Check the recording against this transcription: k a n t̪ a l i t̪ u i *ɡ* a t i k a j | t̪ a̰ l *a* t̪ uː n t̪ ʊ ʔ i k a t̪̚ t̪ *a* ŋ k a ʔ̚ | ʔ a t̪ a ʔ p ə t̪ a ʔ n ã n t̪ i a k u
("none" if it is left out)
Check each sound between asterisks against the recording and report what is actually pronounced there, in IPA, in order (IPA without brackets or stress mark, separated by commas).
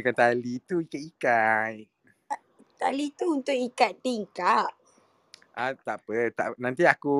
k, i, i